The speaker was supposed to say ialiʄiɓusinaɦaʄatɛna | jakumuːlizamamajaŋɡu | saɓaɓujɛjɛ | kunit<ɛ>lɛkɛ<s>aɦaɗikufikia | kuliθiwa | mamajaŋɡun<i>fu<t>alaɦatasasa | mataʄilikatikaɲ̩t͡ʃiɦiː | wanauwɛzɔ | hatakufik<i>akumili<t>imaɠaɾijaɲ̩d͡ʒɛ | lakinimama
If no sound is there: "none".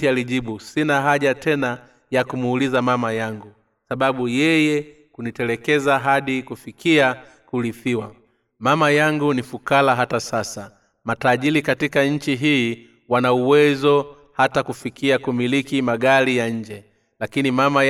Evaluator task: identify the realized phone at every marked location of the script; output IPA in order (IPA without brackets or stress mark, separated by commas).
ɛ, z, i, k, i, k